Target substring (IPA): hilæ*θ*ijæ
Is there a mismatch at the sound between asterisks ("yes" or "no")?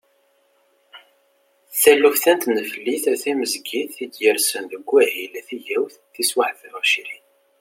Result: no